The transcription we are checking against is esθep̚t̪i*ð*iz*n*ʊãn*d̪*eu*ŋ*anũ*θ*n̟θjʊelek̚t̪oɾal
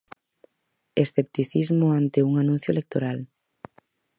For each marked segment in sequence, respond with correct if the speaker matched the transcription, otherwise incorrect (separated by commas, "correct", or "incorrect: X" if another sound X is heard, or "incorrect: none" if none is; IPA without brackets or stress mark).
incorrect: θ, incorrect: m, incorrect: t̪, correct, incorrect: none